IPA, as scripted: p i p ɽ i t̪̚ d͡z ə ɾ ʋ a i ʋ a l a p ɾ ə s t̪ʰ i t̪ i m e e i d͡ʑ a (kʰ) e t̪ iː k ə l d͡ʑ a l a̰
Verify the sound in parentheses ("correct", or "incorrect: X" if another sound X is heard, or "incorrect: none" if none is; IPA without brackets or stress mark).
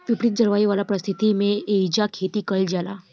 correct